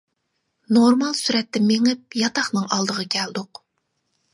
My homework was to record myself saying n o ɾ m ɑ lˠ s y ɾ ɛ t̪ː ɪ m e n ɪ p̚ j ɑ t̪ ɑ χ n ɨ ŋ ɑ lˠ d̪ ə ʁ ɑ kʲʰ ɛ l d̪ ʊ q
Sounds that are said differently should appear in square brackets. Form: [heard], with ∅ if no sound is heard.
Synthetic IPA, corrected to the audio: n o ɾ m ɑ lˠ s y ɾ ɛ t̪ː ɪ m e [ŋ] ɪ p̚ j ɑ t̪ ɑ χ n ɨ ŋ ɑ lˠ d̪ ə ʁ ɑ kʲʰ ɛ l d̪ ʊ q